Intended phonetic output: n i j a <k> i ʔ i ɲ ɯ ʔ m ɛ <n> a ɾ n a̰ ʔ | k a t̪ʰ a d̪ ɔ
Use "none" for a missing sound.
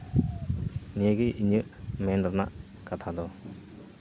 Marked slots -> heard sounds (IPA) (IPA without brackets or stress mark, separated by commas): ɡ, n